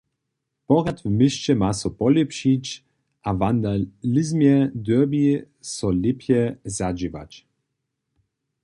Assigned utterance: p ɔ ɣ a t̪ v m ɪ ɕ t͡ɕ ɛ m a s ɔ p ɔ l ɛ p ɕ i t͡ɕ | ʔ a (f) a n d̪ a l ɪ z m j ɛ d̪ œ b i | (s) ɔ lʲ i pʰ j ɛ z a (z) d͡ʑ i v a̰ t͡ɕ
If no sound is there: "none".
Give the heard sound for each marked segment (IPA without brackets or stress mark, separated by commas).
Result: v, s, none